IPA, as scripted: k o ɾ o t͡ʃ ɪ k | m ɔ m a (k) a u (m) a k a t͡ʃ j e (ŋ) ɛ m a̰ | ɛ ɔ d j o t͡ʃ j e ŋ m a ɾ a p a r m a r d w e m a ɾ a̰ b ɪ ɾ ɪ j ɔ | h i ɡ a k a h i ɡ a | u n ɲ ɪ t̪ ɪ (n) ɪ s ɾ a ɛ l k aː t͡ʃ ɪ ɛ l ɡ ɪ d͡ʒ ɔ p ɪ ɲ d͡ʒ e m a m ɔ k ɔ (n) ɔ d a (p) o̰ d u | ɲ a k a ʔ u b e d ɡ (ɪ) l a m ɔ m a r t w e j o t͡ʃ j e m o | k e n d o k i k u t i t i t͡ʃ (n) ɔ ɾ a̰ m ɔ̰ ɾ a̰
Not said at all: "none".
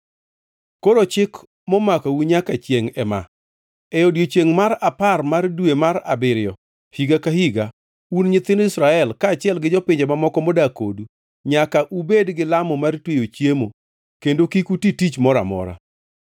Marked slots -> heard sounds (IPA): k, ɲ, ŋ, n, m, k, ɪ, m

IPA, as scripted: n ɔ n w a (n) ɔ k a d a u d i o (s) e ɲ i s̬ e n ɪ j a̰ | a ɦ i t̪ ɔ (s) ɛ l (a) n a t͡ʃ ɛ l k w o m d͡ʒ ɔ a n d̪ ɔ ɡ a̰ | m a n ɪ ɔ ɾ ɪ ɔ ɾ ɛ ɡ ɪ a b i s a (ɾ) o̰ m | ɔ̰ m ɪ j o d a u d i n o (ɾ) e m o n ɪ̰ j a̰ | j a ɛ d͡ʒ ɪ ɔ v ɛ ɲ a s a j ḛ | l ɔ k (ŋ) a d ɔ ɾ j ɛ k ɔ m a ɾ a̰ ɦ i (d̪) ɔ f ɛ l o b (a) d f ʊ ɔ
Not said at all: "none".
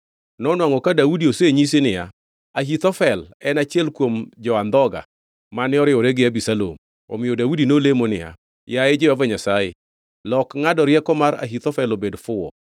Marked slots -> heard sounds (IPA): ŋ, s, f, ɛ, l, l, ŋ, t̪, e

